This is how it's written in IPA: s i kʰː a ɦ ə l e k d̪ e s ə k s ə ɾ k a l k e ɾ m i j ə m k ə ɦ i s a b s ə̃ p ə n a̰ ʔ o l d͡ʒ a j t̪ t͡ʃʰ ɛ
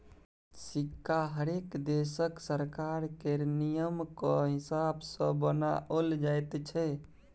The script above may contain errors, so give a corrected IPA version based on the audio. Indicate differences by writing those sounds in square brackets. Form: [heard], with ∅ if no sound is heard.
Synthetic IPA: s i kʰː a ɦ ə [ɾ] e k d̪ e s ə k s ə ɾ k a [ɾ] k e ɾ [n] i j ə m k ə ɦ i s a b s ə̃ [b] ə n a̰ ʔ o l d͡ʒ a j t̪ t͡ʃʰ ɛ